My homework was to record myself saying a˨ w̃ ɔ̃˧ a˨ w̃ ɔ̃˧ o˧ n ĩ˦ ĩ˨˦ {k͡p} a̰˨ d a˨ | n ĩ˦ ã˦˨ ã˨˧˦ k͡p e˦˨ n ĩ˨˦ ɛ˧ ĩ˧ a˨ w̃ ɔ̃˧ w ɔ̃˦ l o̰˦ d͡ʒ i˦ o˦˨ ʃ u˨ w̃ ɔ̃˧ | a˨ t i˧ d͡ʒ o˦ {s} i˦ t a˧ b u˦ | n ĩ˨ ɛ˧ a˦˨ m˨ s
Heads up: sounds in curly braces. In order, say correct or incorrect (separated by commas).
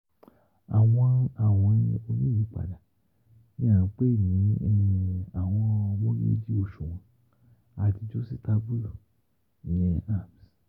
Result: correct, correct